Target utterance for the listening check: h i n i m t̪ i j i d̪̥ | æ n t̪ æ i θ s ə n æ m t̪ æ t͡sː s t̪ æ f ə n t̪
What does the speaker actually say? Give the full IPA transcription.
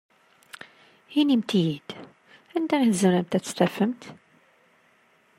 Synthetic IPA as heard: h i n i m t̪ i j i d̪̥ | æ n d̪ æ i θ z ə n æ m t̪ æ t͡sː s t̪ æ f ə m t̪